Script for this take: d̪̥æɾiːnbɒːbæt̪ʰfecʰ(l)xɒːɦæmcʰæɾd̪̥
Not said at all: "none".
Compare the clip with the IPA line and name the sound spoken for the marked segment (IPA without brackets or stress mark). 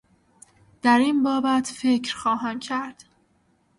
ɾ